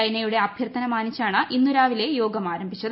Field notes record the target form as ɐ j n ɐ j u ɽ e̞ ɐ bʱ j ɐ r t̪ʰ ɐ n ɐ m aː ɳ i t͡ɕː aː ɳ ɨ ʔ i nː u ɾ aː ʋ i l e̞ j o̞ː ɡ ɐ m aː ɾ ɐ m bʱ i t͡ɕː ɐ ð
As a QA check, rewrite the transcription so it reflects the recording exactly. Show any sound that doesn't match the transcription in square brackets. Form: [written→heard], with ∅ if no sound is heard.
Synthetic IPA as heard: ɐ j n ɐ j u ɽ e̞ ɐ bʱ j ɐ r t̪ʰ ɐ n ɐ m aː [ɳ→n] i t͡ɕː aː ɳ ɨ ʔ i nː u ɾ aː ʋ i l e̞ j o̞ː ɡ ɐ m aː ɾ ɐ m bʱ i t͡ɕː ɐ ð